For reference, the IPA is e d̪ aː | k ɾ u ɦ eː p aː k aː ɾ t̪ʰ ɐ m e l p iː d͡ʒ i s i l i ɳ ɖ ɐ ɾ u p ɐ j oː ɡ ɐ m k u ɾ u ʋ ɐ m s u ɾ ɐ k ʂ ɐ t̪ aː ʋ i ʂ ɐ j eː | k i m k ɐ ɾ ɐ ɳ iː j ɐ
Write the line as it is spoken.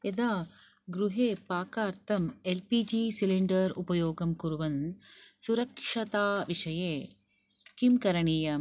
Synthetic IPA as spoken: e d̪ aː | ɡ ɾ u ɦ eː p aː k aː ɾ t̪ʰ ɐ m e l p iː d͡ʒ i s i l i ɳ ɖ ɐ ɾ u p ɐ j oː ɡ ɐ m k u ɾ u ʋ ɐ n s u ɾ ɐ k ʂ ɐ t̪ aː ʋ i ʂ ɐ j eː | k i m k ɐ ɾ ɐ ɳ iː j ɐ